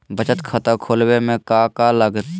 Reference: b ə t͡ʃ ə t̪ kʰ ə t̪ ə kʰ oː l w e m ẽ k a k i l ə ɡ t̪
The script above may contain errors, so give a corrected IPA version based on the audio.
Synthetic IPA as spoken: b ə t͡ʃ ə t̪ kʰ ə t̪ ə kʰ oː l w e m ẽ k a k a l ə ɡ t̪